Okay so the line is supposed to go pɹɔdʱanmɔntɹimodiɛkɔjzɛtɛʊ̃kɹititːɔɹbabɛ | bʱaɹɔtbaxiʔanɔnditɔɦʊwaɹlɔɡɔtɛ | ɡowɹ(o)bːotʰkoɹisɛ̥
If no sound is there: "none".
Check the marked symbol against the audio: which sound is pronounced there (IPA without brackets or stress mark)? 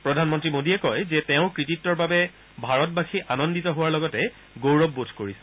ɔ